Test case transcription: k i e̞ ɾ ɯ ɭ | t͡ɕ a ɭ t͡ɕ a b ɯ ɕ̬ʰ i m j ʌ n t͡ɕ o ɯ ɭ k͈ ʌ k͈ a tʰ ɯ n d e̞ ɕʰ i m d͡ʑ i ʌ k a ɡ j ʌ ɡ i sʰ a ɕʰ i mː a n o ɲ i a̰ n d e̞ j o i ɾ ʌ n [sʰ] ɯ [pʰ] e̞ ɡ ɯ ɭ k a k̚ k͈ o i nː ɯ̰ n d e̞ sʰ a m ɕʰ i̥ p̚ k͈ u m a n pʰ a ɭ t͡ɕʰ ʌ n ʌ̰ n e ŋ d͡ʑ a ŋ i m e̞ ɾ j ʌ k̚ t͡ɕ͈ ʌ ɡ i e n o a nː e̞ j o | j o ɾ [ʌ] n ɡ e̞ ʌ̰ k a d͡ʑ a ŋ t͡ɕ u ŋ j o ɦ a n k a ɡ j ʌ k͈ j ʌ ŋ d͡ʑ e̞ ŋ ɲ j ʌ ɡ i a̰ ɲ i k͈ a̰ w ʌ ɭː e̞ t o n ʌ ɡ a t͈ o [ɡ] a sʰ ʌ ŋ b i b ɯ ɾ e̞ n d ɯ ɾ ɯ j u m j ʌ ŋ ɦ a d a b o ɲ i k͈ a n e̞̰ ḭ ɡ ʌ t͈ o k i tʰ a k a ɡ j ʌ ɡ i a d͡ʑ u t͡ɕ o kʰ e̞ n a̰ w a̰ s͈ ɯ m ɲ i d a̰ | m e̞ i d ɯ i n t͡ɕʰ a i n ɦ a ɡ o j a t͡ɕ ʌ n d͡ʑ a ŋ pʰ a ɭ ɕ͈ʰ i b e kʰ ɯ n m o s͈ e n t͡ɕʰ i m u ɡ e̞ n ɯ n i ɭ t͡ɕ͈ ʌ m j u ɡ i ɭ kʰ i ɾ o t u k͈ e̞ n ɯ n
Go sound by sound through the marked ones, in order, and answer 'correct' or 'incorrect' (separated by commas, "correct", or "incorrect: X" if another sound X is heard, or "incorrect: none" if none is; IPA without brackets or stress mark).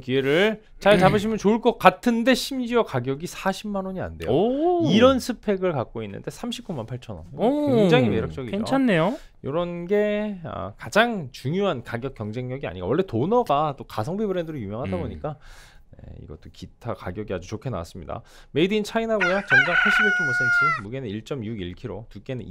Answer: correct, correct, correct, incorrect: k